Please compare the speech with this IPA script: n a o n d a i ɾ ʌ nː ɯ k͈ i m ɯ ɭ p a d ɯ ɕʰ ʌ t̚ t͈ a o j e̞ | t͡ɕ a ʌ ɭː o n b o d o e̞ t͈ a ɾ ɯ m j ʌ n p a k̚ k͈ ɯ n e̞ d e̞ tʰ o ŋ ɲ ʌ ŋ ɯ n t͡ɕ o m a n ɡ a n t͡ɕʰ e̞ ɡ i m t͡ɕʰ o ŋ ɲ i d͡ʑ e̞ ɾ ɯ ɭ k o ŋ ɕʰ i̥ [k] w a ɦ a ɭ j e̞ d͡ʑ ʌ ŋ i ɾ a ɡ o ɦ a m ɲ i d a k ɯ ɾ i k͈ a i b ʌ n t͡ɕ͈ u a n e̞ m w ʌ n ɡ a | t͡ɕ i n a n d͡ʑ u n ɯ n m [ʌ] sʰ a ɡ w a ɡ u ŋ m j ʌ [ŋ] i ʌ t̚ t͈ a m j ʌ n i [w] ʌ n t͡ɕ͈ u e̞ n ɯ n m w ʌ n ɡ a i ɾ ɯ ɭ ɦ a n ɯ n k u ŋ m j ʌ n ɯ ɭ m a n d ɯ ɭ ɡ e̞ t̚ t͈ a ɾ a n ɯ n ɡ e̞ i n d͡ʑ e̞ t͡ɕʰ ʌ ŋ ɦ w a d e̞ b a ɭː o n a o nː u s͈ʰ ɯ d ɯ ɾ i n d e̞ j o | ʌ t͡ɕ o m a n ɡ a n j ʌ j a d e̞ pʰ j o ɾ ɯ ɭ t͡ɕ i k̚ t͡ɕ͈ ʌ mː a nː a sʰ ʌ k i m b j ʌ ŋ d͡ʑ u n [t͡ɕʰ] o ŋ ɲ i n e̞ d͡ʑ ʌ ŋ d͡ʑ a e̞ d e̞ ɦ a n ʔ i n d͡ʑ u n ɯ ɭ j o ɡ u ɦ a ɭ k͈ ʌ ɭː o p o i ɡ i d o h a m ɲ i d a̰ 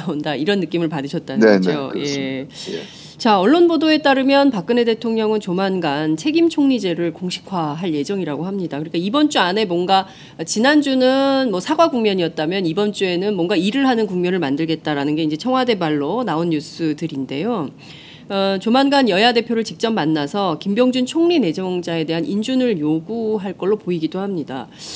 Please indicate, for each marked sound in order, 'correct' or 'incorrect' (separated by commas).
incorrect, correct, incorrect, incorrect, correct